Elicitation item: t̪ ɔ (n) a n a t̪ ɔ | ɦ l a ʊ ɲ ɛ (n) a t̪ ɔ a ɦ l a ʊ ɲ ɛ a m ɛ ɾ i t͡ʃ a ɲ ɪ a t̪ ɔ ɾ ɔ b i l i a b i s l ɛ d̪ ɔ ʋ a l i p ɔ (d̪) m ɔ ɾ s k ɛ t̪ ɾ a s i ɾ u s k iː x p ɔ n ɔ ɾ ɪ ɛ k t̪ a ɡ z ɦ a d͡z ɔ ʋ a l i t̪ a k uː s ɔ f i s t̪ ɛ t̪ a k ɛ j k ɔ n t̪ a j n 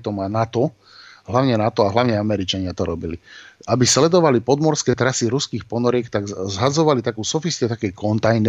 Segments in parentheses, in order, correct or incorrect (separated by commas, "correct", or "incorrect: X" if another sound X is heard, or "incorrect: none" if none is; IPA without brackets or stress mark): incorrect: m, correct, correct